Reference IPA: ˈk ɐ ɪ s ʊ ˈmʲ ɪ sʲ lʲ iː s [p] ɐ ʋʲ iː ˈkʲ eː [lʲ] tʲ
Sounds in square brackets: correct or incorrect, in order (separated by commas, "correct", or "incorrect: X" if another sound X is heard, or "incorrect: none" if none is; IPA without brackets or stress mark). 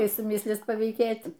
correct, incorrect: none